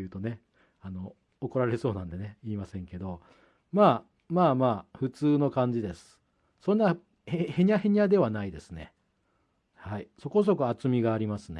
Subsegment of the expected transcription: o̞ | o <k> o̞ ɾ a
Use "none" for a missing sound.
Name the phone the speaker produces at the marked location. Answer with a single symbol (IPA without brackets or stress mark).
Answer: k